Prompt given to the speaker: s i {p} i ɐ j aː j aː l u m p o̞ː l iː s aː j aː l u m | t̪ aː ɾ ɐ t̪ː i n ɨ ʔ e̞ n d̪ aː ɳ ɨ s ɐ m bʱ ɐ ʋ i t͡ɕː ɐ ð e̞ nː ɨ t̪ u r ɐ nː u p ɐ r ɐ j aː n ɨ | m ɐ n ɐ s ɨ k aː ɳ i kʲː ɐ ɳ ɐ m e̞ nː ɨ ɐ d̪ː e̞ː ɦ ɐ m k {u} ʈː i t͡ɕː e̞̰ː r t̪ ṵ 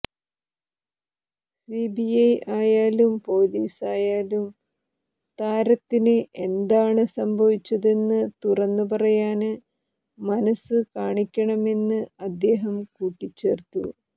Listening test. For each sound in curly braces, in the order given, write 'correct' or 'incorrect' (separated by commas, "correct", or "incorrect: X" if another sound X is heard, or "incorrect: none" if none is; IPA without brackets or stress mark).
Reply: incorrect: b, incorrect: uː